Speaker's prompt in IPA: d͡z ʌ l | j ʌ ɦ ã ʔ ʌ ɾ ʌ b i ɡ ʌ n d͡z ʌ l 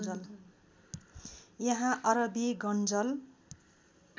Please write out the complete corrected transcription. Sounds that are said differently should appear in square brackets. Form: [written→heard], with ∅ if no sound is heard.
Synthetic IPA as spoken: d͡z ʌ l | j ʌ ɦ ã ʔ ʌ ɾ ʌ b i ɡ ʌ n d͡z ʌ l